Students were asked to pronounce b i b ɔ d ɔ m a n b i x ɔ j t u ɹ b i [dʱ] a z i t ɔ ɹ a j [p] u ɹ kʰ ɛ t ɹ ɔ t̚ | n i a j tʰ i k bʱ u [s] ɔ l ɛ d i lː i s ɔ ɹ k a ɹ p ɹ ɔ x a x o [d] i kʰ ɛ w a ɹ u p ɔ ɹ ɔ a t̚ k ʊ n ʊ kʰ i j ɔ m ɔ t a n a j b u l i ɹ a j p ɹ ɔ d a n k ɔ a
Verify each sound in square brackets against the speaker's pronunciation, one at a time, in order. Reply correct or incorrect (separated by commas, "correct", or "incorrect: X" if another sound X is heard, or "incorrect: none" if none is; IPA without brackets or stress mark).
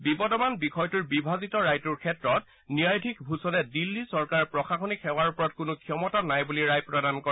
incorrect: bʱ, incorrect: t, correct, incorrect: n